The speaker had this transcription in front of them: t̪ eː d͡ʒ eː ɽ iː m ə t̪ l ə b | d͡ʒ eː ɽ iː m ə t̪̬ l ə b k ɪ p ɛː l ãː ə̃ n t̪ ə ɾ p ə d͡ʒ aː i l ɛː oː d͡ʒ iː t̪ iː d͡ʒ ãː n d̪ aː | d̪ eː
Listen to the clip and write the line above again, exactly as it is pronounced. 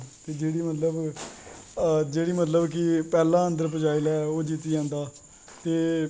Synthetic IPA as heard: t̪ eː d͡ʒ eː ɽ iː m ə t̪ l ə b | d͡ʒ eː ɽ iː m ə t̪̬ l ə b k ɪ p ɛː l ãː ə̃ n d̪ ə ɾ p ə d͡ʒ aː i l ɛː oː d͡ʒ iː t̪ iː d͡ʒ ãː n d̪ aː | t̪ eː